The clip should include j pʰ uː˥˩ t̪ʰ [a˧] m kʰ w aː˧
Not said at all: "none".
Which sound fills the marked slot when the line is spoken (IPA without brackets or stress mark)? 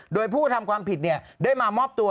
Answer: a˧